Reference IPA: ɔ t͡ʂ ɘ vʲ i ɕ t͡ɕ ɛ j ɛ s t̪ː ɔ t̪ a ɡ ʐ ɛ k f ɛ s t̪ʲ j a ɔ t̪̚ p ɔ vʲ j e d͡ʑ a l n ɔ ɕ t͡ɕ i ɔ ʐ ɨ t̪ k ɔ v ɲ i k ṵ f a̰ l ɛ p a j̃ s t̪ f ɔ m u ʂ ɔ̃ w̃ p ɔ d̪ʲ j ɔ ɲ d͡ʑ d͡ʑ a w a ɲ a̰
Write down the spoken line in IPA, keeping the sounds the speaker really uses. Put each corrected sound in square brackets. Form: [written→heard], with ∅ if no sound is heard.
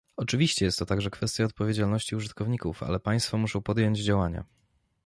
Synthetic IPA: ɔ t͡ʂ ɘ vʲ i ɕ t͡ɕ ɛ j ɛ s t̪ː ɔ t̪ a ɡ ʐ ɛ k f ɛ s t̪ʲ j a ɔ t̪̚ p ɔ vʲ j e d͡ʑ a l n ɔ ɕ t͡ɕ i [ɔ→u] ʐ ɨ t̪ k ɔ v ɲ i k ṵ f a̰ l ɛ p a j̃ s t̪ f ɔ m u ʂ ɔ̃ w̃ p ɔ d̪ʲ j ɔ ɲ d͡ʑ d͡ʑ a w a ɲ a̰